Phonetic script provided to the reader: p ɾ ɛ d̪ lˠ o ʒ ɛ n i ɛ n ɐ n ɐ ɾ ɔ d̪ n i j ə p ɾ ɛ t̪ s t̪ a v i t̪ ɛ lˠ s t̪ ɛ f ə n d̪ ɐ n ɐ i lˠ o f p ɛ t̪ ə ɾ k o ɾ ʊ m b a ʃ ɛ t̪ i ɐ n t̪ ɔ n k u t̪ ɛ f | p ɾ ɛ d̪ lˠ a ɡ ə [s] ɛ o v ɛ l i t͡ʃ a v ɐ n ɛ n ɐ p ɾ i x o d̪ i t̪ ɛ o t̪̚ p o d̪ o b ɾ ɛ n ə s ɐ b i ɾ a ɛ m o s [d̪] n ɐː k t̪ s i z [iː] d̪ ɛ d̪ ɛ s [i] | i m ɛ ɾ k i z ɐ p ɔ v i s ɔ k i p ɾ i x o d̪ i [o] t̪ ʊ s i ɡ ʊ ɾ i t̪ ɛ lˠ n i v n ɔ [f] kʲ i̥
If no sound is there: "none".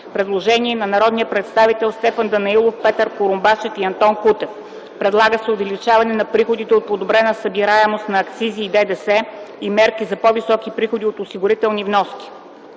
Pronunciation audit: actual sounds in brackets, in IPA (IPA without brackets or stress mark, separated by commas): s, t̪, iː, ɛ, o, s